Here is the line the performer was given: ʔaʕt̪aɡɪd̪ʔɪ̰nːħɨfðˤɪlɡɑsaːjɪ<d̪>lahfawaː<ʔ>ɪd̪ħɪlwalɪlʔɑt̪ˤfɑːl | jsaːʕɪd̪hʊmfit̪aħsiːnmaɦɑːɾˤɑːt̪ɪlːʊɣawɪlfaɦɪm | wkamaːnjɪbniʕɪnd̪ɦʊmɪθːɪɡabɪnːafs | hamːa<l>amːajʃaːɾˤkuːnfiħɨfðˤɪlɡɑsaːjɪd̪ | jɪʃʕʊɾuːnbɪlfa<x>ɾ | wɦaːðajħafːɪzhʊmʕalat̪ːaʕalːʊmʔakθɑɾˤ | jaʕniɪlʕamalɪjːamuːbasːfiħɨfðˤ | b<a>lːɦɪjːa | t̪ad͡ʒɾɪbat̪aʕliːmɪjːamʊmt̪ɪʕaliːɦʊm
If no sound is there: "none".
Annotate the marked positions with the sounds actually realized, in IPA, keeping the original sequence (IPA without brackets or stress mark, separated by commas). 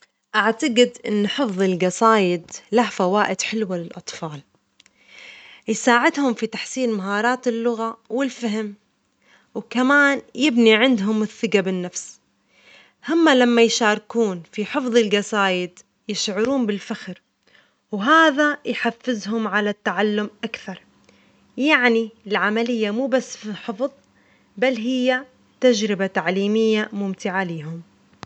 d̪, ʔ, l, x, a